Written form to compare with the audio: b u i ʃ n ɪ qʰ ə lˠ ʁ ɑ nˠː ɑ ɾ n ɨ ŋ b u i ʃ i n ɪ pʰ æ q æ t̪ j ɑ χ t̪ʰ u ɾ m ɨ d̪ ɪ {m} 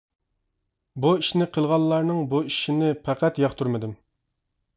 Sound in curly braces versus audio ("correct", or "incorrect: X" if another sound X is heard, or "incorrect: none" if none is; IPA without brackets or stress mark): correct